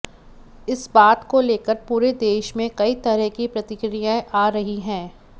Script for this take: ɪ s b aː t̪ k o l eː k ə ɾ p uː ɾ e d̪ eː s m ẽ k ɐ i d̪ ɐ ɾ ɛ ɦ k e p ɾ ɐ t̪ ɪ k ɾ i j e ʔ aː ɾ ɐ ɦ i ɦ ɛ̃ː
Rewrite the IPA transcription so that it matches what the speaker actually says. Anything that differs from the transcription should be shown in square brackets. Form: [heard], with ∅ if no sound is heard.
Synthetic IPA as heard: ɪ s b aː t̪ k o l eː k ə ɾ p uː ɾ e d̪ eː [ʃ] m ẽ k ɐ i [t̪] ɐ ɾ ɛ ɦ k [i] p ɾ ɐ t̪ ɪ k ɾ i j [a] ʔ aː ɾ ɐ ɦ i ɦ ɛ̃ː